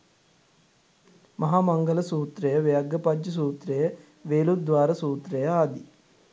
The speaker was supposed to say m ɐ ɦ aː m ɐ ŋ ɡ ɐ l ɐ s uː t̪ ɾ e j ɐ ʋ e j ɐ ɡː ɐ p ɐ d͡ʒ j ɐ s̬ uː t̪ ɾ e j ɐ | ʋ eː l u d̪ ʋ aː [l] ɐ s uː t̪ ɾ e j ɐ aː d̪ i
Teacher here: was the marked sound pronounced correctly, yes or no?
no